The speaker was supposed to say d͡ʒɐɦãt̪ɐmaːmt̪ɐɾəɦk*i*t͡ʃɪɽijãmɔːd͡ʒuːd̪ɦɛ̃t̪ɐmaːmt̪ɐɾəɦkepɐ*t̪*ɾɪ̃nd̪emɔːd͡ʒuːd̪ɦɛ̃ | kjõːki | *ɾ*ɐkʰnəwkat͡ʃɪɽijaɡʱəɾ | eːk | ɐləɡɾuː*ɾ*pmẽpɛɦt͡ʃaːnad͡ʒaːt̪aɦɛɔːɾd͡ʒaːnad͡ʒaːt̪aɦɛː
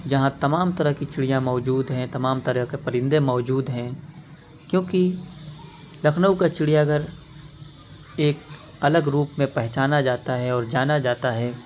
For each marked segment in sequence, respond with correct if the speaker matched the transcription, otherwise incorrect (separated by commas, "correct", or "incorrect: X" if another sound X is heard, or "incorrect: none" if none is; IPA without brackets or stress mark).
correct, incorrect: none, incorrect: l, incorrect: none